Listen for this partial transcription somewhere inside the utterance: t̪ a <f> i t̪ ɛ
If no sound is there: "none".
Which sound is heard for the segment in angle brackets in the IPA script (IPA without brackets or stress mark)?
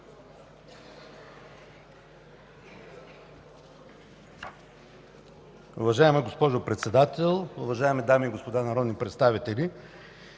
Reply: v